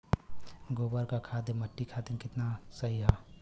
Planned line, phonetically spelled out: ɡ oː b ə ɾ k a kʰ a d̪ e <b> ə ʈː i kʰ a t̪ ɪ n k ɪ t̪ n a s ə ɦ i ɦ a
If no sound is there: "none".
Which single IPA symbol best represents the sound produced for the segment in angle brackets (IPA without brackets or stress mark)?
m